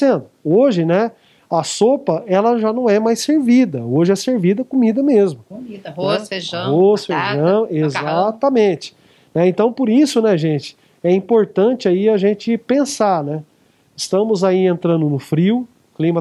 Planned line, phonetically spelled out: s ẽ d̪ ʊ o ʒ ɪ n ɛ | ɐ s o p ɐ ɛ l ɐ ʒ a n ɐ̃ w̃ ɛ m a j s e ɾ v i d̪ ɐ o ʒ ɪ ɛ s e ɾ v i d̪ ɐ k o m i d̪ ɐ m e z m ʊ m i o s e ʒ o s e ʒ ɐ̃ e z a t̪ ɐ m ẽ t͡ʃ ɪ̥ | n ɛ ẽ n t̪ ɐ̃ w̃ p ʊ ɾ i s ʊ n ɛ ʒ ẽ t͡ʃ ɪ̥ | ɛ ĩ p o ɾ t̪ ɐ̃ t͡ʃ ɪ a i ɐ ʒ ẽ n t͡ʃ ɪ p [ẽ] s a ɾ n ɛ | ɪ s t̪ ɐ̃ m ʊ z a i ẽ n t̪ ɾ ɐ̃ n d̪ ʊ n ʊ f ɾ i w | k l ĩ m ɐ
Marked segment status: correct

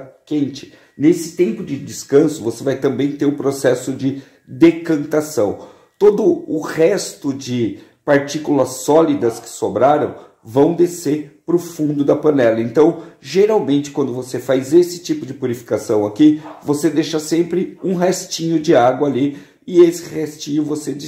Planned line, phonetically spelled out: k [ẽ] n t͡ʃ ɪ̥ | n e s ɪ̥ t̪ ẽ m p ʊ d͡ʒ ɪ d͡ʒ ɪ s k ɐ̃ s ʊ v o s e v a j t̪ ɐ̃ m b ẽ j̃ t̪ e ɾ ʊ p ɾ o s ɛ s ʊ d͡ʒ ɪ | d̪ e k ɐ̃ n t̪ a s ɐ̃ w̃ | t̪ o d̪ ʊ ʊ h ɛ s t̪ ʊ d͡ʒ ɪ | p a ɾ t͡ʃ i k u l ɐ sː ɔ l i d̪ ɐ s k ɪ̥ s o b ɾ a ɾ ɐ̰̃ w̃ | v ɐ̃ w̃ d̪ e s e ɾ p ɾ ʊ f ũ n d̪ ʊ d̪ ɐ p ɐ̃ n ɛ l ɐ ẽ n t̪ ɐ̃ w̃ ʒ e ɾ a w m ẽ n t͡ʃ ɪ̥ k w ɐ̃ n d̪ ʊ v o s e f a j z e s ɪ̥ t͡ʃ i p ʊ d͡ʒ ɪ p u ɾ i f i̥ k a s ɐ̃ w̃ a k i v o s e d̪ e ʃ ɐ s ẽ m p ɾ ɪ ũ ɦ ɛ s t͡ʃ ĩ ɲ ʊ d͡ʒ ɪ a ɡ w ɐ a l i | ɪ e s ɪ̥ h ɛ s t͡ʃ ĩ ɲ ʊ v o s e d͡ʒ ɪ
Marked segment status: correct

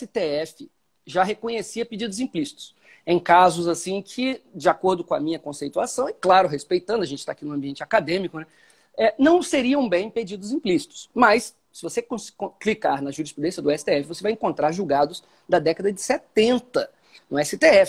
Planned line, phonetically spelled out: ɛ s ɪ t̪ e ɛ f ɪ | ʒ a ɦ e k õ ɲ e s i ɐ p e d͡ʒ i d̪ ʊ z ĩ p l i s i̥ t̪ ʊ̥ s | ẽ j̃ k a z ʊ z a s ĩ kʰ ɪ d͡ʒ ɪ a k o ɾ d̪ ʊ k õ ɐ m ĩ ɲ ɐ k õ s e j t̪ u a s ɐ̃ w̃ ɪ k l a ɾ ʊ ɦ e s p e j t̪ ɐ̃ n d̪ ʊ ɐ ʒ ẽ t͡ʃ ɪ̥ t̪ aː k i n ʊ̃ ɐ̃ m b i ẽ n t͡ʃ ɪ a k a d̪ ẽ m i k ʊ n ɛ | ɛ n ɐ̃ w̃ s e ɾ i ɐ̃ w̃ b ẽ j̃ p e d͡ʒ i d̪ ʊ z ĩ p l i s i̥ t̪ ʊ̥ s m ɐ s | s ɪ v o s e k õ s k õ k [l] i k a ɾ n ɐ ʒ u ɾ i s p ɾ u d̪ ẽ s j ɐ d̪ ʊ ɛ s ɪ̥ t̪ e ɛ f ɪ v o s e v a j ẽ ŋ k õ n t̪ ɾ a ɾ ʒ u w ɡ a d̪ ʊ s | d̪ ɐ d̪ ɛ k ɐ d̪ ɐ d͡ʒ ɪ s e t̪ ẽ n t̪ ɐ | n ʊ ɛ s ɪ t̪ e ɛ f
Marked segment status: correct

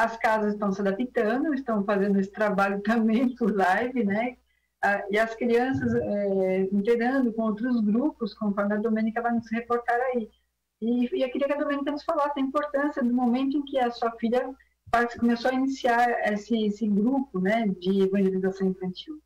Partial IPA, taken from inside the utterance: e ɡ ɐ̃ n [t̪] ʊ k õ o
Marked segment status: incorrect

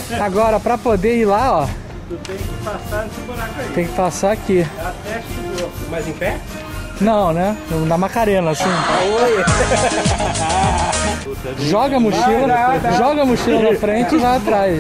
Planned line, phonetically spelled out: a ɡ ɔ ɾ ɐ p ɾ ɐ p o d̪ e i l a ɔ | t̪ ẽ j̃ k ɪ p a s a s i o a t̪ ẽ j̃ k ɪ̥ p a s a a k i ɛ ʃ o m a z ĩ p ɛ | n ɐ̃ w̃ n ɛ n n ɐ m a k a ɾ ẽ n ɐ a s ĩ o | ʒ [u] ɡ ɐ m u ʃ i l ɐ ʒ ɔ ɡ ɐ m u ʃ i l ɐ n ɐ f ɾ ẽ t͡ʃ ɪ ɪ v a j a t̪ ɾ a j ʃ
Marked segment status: incorrect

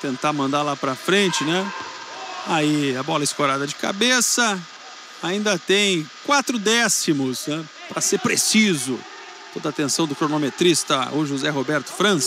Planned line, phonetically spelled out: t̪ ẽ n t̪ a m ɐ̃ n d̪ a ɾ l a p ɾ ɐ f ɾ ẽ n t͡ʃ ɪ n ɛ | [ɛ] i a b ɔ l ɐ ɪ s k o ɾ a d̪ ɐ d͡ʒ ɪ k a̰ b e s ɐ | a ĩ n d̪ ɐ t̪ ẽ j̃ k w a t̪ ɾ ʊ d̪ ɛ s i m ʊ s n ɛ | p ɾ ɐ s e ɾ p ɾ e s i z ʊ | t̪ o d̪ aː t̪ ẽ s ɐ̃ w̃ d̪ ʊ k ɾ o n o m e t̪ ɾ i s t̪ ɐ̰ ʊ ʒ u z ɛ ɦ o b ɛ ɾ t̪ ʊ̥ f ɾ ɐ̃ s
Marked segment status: incorrect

